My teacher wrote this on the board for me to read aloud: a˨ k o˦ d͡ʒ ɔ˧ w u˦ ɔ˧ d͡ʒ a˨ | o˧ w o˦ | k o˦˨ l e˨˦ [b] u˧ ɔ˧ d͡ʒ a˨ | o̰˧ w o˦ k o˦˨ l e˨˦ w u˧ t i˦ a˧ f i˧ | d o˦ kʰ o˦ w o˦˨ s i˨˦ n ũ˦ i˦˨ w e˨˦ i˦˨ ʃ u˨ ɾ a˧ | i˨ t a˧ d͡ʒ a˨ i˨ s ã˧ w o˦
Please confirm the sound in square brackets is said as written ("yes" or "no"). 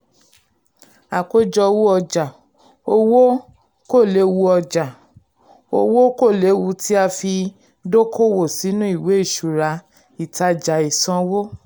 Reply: no